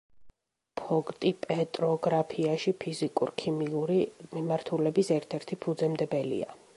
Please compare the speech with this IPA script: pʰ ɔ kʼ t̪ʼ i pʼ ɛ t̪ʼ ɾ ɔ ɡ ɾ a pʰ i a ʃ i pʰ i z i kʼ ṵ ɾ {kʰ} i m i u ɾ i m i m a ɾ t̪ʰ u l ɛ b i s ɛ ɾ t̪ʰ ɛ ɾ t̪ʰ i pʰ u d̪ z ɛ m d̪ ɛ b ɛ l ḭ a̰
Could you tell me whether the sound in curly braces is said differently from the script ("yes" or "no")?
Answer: no